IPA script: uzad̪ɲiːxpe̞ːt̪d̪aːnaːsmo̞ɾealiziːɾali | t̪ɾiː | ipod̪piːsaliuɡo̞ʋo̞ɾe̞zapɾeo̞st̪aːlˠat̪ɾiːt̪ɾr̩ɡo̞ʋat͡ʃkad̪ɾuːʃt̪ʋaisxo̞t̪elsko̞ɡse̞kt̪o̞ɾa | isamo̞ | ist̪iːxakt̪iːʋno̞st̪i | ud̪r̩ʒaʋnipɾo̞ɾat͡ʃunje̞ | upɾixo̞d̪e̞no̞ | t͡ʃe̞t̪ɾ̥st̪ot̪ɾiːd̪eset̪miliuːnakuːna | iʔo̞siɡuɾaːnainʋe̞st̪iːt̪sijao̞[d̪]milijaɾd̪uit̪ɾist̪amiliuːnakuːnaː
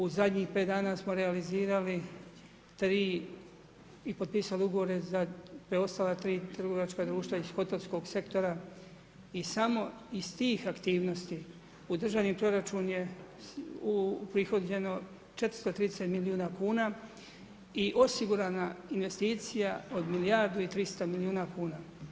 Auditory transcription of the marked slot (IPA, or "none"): d̪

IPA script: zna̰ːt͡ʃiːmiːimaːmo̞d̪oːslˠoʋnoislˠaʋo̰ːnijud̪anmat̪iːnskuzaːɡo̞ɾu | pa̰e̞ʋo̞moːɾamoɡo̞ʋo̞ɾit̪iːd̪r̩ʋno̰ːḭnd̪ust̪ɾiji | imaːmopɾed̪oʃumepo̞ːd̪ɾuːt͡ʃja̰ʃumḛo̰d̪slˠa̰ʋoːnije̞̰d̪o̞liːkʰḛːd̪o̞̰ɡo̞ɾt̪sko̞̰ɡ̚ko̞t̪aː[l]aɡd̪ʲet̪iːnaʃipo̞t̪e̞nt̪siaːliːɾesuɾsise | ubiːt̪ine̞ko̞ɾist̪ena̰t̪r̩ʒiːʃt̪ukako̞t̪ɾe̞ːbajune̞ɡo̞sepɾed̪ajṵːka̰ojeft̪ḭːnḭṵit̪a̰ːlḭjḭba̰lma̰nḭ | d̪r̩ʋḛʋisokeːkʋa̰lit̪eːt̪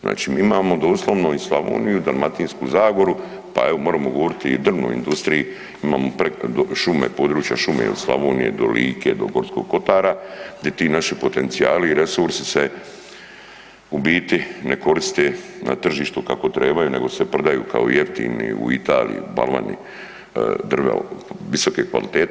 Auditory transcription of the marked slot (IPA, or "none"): ɾ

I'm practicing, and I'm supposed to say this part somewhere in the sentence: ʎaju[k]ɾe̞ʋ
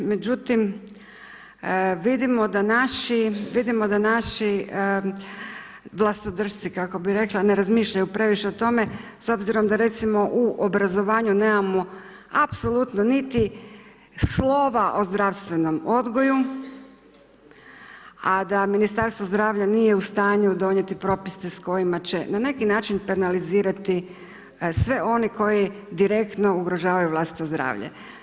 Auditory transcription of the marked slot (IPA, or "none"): p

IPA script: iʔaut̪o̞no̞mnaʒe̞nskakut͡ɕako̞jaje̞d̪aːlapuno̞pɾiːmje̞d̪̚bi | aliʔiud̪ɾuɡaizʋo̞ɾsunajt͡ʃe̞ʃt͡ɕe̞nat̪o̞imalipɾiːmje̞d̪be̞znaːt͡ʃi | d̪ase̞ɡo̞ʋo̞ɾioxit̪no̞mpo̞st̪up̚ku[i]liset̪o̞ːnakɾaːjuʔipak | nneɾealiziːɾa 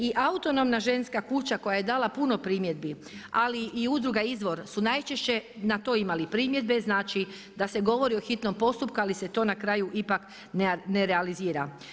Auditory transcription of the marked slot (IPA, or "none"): a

